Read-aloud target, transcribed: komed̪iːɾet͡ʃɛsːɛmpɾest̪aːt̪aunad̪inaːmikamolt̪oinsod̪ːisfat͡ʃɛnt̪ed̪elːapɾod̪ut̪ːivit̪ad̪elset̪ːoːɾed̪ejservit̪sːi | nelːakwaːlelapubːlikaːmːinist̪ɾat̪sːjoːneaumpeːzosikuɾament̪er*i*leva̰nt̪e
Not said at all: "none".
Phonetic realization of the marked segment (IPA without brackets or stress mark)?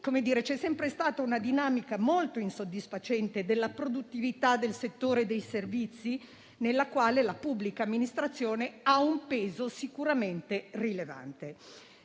i